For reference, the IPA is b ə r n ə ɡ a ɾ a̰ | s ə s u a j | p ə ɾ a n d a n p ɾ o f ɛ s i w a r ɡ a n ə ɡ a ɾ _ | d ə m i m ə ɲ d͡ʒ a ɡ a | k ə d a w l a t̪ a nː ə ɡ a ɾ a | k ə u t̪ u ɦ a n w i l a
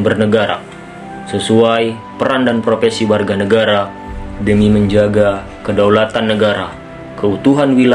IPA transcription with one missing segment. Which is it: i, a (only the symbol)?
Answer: a